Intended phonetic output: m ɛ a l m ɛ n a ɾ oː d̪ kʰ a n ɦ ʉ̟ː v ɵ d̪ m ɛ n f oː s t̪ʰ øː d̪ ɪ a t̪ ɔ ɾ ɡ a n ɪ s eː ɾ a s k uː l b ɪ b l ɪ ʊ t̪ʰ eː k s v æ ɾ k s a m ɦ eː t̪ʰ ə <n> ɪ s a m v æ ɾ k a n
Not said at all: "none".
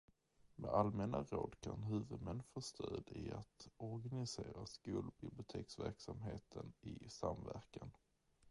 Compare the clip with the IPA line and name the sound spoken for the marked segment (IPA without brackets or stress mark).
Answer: n